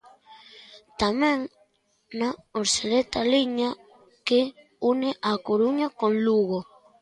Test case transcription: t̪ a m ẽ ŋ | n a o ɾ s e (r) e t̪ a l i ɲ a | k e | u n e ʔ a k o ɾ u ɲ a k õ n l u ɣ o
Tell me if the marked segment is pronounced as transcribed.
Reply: no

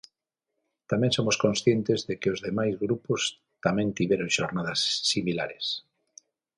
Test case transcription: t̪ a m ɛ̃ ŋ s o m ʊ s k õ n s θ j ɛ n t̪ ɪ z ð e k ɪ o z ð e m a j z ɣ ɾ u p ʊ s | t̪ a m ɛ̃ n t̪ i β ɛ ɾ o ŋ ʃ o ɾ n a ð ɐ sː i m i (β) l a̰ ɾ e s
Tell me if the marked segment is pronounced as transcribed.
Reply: no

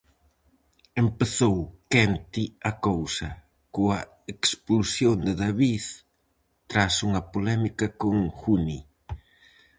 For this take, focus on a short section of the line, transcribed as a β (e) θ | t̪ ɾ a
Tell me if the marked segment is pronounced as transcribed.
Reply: no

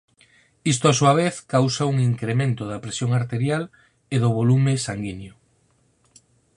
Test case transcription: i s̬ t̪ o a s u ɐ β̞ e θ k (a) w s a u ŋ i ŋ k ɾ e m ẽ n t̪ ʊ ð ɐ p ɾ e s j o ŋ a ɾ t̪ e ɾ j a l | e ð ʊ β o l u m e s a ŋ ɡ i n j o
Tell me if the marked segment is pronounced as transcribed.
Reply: yes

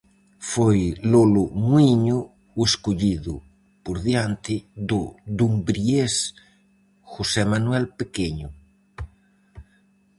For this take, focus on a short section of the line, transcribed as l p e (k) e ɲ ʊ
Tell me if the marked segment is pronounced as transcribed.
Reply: yes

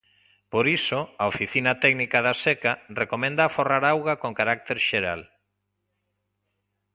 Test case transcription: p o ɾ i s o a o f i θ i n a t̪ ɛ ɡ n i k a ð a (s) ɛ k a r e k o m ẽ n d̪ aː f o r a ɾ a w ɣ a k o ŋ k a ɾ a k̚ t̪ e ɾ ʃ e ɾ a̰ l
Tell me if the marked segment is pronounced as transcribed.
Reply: yes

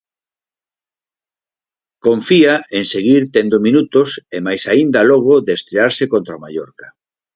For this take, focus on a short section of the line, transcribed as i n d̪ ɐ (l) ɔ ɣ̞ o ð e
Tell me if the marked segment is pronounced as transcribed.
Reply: yes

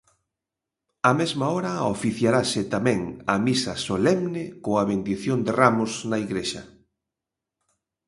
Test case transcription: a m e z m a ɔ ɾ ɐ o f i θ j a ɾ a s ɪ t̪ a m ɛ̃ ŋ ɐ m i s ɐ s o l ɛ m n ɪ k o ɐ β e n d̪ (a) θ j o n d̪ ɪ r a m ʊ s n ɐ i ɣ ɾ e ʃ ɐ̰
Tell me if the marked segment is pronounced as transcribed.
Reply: no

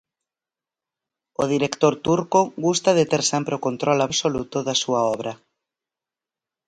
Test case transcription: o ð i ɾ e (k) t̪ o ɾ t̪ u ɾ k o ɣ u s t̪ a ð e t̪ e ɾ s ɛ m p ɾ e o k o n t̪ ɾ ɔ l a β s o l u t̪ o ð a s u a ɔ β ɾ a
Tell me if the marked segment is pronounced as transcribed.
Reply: yes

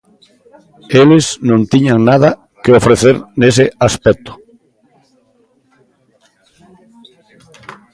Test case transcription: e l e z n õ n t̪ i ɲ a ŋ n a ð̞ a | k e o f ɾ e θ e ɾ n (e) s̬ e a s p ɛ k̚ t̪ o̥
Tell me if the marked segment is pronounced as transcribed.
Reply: yes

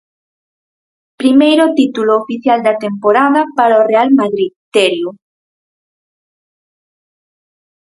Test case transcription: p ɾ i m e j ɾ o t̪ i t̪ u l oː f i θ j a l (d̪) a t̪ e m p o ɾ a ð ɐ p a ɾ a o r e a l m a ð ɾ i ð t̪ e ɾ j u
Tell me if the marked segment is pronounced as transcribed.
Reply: yes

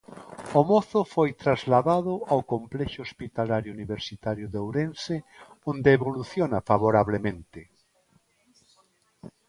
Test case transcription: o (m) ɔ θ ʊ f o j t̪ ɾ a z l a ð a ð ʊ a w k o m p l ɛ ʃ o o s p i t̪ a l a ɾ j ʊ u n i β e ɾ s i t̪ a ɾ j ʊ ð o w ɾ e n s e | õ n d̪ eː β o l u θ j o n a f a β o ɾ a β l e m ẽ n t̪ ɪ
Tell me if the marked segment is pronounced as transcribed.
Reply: yes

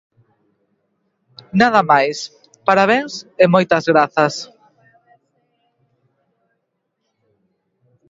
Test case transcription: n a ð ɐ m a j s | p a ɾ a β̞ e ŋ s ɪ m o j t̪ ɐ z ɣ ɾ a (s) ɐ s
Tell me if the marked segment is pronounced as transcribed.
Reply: no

